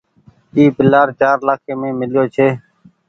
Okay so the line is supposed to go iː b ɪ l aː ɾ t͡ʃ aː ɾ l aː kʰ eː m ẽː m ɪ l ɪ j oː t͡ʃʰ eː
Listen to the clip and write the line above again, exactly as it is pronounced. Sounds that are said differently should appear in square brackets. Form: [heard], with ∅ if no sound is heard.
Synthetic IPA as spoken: iː [p] ɪ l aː ɾ t͡ʃ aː ɾ l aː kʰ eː m ẽː m ɪ l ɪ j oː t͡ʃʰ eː